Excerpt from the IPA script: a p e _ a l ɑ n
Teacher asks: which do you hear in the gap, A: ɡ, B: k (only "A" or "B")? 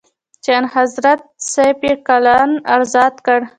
B